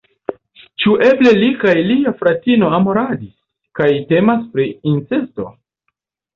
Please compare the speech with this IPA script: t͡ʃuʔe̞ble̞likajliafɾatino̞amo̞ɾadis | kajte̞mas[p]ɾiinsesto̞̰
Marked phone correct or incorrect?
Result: correct